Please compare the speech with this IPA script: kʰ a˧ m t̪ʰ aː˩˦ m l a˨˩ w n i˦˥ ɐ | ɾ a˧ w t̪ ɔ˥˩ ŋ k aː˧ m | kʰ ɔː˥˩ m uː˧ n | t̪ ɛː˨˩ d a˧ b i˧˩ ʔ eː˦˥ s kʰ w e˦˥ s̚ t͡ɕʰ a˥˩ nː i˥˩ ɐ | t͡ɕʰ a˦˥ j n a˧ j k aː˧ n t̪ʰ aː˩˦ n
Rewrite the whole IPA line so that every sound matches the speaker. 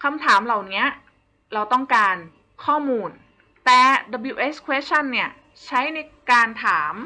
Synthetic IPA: kʰ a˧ m t̪ʰ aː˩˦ m l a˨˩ w n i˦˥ ɐ | ɾ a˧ w t̪ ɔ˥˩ ŋ k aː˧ n | kʰ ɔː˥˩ m uː˧ n | t̪ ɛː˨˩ d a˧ b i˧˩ ʔ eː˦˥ s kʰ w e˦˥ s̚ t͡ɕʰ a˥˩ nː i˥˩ ɐ | t͡ɕʰ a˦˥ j n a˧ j k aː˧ n t̪ʰ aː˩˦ m